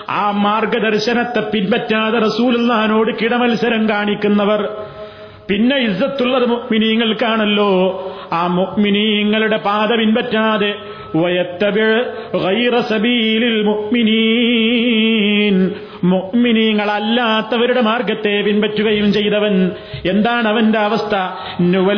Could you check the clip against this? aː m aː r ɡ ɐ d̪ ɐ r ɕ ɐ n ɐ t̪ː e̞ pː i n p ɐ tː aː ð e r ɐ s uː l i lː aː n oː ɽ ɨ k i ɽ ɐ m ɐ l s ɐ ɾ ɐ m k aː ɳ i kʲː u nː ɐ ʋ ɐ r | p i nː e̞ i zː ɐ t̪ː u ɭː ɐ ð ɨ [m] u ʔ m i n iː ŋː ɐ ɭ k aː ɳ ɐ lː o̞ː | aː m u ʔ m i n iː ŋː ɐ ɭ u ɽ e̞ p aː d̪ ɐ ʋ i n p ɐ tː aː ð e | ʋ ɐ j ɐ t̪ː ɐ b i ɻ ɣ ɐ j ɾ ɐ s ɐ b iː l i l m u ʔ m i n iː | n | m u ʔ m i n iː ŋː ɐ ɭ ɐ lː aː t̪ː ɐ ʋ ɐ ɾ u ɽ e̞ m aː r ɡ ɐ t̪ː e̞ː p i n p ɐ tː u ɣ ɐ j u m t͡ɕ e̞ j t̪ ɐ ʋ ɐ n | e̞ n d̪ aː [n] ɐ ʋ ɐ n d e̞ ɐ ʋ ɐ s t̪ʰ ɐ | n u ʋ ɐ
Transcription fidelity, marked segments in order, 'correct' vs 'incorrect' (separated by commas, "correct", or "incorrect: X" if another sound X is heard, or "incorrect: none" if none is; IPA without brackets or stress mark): correct, incorrect: ɳ